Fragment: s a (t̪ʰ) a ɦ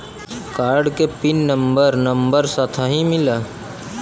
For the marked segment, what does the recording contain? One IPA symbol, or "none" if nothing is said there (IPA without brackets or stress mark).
t̪ʰ